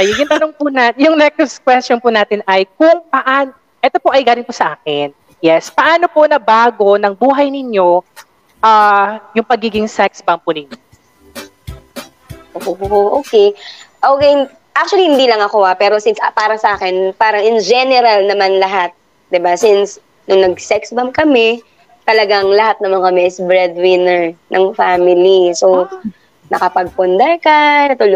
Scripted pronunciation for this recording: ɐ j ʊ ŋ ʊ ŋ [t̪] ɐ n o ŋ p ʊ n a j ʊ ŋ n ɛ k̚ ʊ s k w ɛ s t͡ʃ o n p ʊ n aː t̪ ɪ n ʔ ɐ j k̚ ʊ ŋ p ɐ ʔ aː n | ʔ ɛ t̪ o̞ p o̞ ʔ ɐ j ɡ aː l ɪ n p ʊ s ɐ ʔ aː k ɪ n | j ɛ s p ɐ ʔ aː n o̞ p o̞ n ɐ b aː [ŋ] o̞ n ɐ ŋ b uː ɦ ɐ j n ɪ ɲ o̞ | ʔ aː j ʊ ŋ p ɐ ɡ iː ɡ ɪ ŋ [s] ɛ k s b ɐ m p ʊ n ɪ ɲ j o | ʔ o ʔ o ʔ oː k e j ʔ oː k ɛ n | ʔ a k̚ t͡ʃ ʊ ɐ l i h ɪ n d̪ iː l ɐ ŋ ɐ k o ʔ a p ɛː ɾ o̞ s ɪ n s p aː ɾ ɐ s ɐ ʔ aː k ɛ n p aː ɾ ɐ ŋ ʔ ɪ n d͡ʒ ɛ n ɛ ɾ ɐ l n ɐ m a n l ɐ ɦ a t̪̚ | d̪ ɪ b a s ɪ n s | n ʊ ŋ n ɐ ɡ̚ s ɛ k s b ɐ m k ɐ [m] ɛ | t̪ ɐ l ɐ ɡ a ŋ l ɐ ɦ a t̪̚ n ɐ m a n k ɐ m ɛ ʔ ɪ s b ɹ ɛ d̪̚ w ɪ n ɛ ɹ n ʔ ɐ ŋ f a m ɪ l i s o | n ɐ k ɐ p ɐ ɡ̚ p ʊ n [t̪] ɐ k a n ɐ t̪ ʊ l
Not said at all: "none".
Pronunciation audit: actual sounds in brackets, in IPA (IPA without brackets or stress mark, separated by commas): t̪, ɡ, s, m, d̪